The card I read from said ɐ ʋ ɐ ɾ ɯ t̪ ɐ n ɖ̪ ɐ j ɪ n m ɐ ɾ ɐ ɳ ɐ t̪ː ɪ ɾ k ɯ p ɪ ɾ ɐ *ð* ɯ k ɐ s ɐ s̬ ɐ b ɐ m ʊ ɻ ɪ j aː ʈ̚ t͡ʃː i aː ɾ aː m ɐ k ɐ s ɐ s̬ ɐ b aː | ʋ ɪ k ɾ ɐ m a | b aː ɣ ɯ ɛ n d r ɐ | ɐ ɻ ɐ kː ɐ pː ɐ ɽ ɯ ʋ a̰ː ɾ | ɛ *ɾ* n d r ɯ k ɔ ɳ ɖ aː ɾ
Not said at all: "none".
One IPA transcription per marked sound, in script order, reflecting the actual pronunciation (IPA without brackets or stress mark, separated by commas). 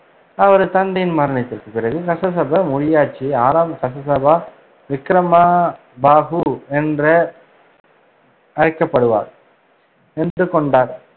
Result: ɣ, none